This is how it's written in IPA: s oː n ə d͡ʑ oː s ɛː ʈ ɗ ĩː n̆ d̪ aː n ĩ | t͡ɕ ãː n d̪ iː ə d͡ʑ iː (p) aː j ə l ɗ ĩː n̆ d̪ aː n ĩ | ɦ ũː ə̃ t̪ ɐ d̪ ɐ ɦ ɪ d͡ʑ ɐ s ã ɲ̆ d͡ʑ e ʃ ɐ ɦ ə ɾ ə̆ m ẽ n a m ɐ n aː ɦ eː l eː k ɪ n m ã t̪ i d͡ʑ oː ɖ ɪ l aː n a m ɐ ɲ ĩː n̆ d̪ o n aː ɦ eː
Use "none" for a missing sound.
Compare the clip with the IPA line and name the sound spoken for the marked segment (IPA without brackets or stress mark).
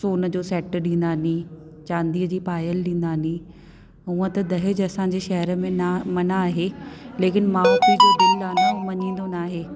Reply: p